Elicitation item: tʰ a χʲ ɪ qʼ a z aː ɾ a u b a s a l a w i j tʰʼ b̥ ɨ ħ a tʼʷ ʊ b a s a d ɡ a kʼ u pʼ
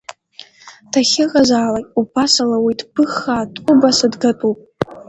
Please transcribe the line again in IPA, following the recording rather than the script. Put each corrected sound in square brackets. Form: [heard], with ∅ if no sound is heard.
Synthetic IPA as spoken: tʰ a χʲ ɪ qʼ a z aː [l] a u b a s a l a w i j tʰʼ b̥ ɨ [χ] a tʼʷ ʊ b a s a d ɡ a [tʼ] u pʼ